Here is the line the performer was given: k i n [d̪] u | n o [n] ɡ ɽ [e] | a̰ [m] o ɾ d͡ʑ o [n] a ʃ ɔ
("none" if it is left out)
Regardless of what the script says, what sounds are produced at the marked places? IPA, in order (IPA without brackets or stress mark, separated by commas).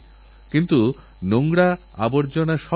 t̪, ŋ, a, b, n